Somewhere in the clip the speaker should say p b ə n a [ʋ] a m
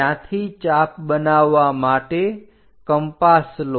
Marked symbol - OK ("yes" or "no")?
no